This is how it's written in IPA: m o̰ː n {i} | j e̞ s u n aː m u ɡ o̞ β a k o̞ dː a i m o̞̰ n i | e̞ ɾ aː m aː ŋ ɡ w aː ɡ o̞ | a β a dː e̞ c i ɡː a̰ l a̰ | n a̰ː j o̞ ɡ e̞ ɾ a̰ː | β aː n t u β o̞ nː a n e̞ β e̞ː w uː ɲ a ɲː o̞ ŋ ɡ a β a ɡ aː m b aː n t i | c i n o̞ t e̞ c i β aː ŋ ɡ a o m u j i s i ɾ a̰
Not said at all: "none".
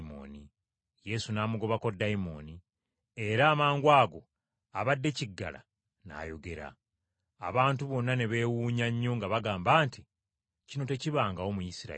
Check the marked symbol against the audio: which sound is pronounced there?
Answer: i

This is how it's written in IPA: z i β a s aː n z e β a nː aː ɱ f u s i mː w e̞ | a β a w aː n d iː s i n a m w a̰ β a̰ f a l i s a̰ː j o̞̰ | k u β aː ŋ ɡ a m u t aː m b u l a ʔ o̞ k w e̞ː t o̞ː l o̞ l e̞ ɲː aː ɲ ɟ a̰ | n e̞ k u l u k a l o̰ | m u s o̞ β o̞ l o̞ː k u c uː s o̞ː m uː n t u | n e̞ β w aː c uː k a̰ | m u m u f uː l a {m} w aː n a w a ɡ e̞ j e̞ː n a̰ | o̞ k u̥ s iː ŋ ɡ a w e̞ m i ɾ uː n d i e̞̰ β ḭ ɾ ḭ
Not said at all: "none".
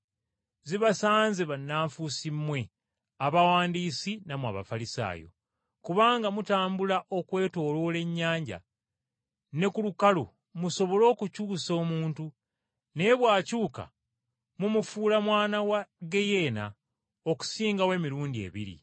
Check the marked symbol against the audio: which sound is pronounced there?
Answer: m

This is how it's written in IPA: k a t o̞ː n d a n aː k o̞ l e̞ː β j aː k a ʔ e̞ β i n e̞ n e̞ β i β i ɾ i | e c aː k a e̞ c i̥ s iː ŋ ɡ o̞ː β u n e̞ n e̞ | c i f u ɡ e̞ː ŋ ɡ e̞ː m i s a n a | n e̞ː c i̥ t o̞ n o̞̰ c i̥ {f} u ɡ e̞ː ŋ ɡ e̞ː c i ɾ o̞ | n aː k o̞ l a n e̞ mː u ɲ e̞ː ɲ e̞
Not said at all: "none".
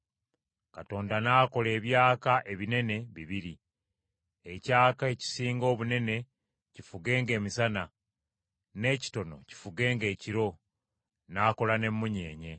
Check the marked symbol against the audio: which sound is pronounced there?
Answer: f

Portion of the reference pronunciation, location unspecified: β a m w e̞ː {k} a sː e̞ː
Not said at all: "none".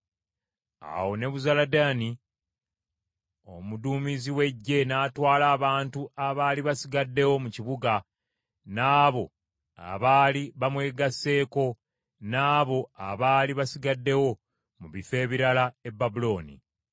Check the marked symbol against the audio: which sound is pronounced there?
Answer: ɡ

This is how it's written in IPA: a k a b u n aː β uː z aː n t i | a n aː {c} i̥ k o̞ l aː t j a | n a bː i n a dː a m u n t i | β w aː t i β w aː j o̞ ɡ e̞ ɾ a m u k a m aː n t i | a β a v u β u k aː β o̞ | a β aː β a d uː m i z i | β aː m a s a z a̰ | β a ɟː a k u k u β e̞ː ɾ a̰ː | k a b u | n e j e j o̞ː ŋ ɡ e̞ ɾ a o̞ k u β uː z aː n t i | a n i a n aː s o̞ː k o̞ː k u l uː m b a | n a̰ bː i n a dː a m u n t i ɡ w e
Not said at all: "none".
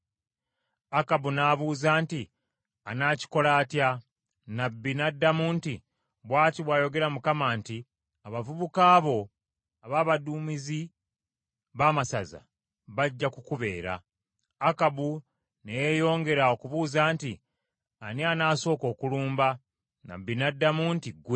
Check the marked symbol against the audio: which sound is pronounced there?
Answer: c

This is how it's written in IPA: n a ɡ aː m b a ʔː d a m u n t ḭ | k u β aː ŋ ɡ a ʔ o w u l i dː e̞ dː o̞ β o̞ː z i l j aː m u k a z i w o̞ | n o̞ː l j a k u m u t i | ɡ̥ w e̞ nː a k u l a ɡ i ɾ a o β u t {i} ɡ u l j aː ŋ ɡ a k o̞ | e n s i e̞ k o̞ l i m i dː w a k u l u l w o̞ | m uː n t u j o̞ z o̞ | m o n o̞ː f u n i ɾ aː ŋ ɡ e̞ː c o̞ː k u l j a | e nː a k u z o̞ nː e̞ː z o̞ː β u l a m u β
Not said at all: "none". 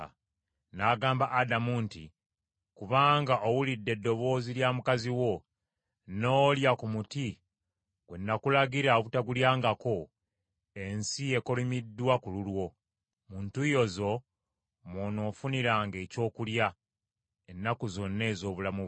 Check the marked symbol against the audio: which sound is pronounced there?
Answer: a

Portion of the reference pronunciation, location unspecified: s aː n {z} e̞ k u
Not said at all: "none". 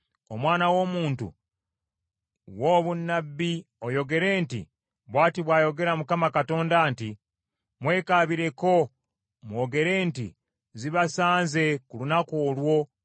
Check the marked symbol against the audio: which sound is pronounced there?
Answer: z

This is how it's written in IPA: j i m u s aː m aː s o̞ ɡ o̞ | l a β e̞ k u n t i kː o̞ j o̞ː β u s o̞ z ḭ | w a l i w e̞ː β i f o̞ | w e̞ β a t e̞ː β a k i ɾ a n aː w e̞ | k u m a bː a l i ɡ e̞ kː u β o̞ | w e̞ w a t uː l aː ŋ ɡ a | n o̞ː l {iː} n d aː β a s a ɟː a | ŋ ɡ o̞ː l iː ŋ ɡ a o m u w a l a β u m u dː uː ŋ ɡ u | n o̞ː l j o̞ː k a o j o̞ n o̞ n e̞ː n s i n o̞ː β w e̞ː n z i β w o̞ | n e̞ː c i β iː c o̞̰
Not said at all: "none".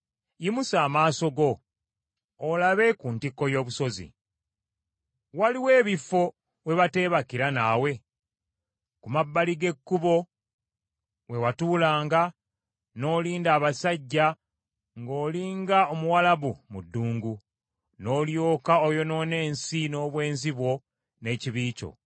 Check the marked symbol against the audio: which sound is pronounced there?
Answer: iː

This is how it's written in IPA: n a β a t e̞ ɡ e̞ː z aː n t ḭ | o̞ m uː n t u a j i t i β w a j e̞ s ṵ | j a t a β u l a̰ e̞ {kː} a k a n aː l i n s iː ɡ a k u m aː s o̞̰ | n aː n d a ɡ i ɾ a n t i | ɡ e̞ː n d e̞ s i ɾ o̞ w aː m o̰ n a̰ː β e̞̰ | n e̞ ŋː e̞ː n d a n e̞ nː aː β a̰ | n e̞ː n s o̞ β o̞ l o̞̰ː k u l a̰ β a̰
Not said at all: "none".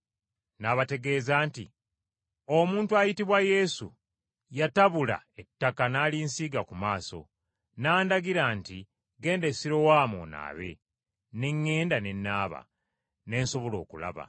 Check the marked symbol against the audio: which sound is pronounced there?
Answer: tː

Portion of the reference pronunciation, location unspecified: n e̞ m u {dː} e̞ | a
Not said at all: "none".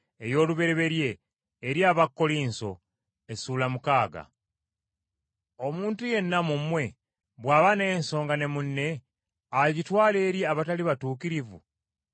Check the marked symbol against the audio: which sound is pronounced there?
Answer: nː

